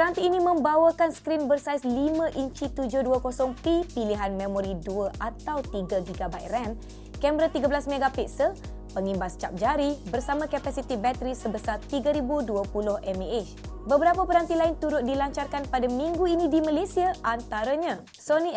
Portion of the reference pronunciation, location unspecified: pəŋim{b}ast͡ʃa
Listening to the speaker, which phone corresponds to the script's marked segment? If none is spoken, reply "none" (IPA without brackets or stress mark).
b